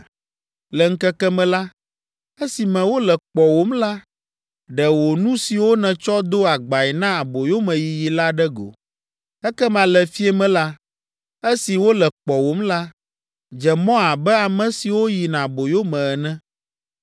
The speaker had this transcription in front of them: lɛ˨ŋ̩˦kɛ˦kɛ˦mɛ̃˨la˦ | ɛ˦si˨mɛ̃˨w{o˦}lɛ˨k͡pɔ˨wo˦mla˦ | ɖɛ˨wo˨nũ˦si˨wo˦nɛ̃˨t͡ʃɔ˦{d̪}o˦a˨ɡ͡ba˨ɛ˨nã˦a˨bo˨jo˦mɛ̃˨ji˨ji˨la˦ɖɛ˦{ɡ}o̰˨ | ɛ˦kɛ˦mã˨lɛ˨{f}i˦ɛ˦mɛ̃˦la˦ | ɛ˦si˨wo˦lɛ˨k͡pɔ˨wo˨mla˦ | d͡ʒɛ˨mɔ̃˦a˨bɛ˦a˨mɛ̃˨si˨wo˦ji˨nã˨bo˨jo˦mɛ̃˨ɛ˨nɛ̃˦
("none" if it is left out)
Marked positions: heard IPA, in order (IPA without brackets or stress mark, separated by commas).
o˦, d̪, ɡ, f